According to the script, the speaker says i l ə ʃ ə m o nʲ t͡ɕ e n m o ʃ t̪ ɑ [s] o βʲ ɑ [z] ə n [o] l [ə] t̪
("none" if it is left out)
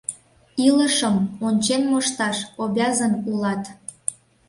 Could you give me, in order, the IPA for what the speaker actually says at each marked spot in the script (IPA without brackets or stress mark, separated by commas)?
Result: ʃ, z, u, ɑ